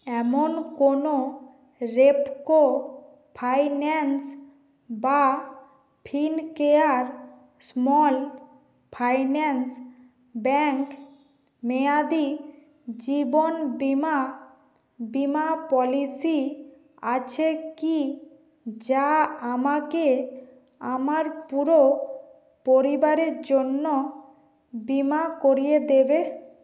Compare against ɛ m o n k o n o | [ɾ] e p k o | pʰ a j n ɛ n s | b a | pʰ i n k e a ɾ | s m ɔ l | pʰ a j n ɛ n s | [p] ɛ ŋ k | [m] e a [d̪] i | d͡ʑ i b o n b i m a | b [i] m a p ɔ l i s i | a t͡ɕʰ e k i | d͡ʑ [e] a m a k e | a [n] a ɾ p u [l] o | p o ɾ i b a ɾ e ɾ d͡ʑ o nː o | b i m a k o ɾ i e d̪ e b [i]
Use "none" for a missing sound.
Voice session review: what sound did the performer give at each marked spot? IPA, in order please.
ɾ, b, m, d̪, i, a, m, ɾ, e

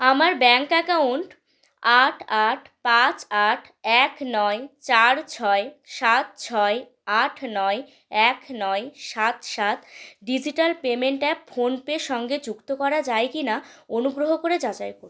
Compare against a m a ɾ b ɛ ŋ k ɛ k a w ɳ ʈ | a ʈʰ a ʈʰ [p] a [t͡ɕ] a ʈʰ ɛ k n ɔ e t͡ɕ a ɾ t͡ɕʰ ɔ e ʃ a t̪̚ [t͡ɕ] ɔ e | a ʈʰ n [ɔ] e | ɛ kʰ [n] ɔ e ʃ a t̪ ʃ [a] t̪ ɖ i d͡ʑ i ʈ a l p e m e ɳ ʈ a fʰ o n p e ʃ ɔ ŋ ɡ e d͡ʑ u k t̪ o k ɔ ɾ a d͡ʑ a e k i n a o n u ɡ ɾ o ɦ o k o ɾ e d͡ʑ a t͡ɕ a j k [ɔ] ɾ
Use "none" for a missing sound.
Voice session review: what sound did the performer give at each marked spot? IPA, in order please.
p, t͡ɕ, t͡ɕʰ, ɔ, n, a, o

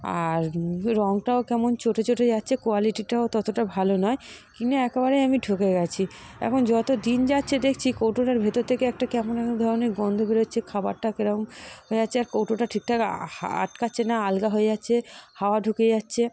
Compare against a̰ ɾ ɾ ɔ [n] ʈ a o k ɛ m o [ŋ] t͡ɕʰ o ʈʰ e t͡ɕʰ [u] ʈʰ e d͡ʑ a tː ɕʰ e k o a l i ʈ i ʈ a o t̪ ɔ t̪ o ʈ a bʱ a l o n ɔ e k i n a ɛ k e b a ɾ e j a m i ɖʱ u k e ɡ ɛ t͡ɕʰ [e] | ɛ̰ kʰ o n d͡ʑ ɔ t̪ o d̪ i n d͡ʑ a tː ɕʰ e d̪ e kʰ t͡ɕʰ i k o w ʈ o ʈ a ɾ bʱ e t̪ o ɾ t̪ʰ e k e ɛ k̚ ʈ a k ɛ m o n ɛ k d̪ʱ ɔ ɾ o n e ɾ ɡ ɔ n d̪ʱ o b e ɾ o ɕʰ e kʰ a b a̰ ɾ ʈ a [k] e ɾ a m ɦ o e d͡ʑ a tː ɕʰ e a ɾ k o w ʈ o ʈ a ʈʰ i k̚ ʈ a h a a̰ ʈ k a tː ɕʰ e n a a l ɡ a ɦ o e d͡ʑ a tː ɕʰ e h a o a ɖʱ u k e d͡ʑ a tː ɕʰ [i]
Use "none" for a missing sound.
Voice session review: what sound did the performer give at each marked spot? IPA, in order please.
ŋ, n, o, i, k, e

